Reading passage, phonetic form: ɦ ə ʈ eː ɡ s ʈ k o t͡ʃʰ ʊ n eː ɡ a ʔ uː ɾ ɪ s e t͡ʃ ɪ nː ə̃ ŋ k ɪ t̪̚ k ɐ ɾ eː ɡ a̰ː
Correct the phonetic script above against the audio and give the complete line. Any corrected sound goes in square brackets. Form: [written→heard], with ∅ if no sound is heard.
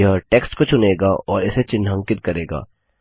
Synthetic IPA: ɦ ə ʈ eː [ɡ→k] s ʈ k o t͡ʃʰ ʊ n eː ɡ a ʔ [uː→ɔː] ɾ ɪ s e t͡ʃ ɪ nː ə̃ ŋ k ɪ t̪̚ k ɐ ɾ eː ɡ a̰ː